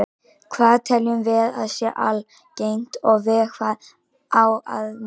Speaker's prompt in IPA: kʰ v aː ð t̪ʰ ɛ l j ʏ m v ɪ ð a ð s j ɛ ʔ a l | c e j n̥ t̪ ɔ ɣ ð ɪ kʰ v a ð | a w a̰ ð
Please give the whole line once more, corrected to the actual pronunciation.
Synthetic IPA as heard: kʰ v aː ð t̪ʰ ɛ l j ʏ m v ɪ ð a ð s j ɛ ʔ a l | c e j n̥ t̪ ɔ ɣ v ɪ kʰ v a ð | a w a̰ ð